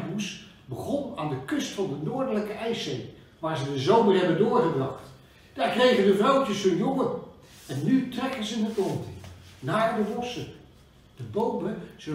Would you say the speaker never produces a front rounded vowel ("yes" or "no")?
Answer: no